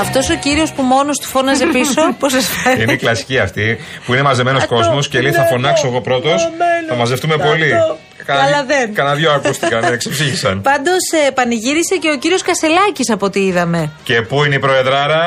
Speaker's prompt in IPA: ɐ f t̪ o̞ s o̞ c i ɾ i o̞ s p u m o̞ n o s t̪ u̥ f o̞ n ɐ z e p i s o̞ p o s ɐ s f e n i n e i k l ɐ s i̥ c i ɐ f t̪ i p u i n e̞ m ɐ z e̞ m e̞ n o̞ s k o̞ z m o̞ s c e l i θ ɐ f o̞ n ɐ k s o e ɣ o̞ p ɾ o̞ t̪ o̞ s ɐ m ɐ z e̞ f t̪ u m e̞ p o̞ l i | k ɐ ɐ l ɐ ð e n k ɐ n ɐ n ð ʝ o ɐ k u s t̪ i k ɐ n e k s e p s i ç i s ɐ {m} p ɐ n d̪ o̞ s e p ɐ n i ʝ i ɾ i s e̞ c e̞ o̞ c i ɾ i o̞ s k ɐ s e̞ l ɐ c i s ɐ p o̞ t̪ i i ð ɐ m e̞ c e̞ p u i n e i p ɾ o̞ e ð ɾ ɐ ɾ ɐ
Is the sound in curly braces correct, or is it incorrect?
incorrect